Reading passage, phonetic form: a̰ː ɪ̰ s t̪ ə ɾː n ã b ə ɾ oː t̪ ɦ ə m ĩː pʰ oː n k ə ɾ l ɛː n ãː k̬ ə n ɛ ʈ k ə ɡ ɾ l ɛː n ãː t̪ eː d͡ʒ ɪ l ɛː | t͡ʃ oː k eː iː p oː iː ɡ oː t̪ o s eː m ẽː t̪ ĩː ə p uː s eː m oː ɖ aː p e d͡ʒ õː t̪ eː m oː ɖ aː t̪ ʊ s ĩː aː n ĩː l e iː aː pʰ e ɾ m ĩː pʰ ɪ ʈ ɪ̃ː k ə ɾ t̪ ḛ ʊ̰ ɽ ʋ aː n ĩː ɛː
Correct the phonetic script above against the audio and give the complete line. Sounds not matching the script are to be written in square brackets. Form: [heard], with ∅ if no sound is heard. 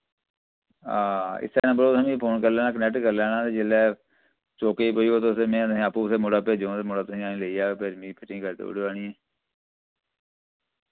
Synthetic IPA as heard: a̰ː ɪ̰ s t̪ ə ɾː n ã b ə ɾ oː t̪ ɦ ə m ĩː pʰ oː n k ə ɾ l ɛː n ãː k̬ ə n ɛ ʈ k ə [∅] ɾ l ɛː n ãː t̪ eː d͡ʒ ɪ l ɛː | t͡ʃ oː k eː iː p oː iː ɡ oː t̪ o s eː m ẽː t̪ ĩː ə p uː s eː m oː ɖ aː p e d͡ʒ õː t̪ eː m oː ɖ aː t̪ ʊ s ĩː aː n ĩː l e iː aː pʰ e ɾ m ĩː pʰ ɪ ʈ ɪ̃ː k ə ɾ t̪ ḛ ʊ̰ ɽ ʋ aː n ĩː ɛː